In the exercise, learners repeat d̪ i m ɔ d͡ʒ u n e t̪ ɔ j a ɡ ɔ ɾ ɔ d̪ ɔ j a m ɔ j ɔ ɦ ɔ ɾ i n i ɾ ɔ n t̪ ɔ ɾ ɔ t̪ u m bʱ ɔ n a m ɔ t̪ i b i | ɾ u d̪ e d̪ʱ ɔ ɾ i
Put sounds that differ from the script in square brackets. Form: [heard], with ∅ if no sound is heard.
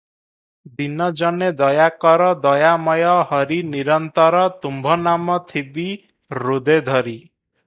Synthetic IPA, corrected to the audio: d̪ i [n] ɔ d͡ʒ [ɔ] n e [d̪] ɔ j a [k] ɔ ɾ ɔ d̪ ɔ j a m ɔ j ɔ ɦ ɔ ɾ i n i ɾ ɔ n t̪ ɔ ɾ ɔ t̪ u m bʱ ɔ n a m ɔ [t̪ʰ] i b i | ɾ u d̪ e d̪ʱ ɔ ɾ i